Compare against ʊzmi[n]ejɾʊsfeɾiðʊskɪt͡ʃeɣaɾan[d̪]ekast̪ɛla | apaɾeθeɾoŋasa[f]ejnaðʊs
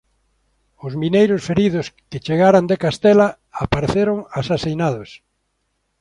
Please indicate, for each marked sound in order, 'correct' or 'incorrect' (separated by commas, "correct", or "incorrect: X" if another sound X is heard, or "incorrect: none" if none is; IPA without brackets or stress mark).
correct, correct, incorrect: s